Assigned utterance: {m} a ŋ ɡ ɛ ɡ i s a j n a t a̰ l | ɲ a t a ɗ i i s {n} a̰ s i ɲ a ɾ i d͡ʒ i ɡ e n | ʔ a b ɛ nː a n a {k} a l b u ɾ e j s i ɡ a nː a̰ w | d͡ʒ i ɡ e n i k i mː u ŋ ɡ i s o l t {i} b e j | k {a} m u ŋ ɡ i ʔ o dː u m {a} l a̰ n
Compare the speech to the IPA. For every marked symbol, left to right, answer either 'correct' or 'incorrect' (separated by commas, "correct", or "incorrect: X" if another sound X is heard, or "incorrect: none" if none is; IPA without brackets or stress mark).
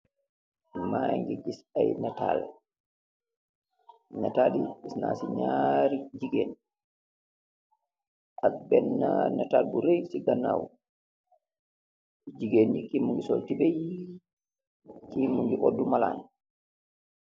correct, correct, incorrect: t, correct, incorrect: i, correct